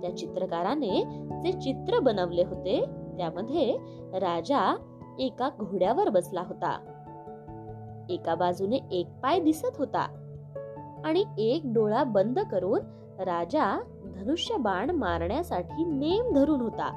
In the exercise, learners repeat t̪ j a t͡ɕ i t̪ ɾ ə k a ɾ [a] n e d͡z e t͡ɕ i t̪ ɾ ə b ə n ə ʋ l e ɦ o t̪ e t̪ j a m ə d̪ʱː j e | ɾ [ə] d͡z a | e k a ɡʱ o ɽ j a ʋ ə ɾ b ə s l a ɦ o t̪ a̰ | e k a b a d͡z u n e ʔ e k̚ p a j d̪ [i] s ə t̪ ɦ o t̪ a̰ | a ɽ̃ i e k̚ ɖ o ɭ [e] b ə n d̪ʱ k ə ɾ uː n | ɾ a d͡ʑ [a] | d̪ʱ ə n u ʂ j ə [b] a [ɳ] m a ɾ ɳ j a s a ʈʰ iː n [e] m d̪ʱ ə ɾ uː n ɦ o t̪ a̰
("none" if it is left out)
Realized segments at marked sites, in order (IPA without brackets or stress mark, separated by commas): a, a, i, a, a, b, ɳ, e